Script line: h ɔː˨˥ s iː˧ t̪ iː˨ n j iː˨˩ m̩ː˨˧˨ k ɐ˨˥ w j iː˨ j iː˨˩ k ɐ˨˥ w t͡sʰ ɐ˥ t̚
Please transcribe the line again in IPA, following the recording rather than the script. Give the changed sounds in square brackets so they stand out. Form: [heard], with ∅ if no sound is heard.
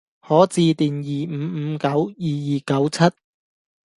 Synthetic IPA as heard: h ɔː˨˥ [t͡s] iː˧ t̪ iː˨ n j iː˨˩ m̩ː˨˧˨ k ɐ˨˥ w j iː˨ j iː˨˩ k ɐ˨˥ w t͡sʰ ɐ˥ t̚